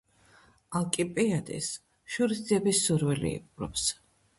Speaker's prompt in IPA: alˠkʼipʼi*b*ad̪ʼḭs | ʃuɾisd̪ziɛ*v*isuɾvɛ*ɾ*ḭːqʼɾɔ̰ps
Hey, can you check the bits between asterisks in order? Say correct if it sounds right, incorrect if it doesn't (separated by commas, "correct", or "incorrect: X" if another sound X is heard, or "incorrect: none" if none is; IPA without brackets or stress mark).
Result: incorrect: none, incorrect: b, incorrect: l